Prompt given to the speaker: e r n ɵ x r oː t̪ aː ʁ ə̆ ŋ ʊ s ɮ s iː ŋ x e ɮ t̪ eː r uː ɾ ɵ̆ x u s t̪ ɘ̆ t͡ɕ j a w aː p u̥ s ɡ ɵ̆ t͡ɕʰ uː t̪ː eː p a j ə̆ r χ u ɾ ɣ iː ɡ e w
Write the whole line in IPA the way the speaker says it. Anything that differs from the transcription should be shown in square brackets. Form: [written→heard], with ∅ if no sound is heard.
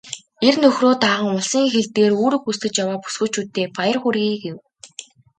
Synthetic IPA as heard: e r n ɵ x r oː t̪ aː ʁ ə̆ ŋ ʊ [s→∅] ɮ s iː ŋ x e ɮ t̪ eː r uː ɾ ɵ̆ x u s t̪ ɘ̆ t͡ɕ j a w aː p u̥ s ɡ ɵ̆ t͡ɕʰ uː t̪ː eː p a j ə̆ r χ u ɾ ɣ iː ɡ e w